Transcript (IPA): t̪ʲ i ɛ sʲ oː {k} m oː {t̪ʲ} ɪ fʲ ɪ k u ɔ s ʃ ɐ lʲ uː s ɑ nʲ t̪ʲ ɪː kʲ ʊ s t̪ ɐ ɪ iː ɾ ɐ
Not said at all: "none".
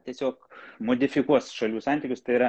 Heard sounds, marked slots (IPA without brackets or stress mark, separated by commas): k, d̪ʲ